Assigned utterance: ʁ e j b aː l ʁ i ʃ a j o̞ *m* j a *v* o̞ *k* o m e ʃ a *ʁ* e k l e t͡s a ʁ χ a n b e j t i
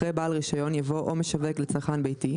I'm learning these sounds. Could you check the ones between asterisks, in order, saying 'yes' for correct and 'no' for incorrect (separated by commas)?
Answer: no, yes, no, no